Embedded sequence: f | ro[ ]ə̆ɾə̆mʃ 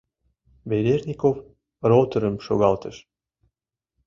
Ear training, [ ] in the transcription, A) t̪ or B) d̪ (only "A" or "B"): A